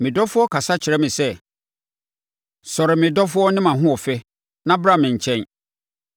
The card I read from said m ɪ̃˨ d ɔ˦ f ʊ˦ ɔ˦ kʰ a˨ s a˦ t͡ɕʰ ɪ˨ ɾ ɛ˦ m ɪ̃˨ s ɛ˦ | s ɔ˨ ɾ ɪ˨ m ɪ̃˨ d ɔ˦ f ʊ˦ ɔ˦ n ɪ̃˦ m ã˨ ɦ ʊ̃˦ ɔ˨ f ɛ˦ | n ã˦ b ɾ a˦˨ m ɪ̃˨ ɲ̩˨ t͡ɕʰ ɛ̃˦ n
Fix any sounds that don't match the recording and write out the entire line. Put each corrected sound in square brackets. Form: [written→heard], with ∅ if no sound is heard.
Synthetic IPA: m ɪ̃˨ d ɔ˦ f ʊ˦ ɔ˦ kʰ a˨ s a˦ t͡ɕʰ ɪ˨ ɾ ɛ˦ m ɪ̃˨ s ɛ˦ | s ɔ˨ ɾ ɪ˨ m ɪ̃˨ d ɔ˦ f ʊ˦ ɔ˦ n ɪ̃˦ m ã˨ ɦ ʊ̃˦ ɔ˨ f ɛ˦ | n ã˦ b ɾ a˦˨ m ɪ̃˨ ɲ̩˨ t͡ɕʰ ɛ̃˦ n

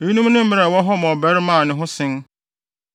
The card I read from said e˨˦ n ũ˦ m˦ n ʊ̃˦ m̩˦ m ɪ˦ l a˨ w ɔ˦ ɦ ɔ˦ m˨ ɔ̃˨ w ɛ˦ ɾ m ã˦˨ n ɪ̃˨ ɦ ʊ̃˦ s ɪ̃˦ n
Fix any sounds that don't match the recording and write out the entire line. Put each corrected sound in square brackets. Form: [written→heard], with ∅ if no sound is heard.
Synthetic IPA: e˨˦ n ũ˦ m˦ n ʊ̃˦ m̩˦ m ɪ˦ [l→ɾ] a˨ w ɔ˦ ɦ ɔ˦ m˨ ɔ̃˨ [w→b] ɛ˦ ɾ m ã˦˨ n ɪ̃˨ ɦ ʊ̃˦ s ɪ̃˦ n

